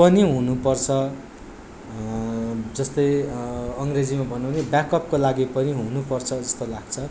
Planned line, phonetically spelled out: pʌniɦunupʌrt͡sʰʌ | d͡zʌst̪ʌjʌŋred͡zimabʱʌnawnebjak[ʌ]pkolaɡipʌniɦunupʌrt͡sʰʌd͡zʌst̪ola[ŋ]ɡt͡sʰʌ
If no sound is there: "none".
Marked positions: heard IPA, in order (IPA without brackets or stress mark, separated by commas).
ʌ, none